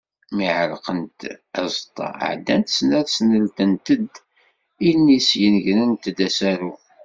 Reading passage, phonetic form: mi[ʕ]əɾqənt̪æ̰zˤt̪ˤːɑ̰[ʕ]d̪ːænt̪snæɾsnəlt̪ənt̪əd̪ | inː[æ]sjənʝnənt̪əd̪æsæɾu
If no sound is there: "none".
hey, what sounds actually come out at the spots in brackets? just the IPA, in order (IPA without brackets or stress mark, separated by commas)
ʕ, ʕ, i